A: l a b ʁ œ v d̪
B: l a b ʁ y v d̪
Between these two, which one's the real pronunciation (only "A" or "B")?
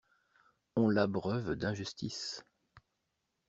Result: A